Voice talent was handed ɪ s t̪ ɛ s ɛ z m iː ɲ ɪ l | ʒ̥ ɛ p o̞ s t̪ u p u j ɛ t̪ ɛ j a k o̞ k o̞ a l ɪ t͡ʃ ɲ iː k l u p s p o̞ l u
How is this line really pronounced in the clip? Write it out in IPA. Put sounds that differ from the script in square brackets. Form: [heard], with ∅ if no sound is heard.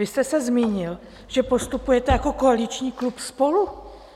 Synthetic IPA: ɪ s t̪ ɛ s ɛ z m iː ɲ ɪ l | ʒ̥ ɛ p o̞ s t̪ u p u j ɛ t̪ ɛ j a k o̞ k o̞ a l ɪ t͡ʃ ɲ iː k l u p s p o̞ l u